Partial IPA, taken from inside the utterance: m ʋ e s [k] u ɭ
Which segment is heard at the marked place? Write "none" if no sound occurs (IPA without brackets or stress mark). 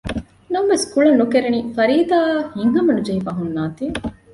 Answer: k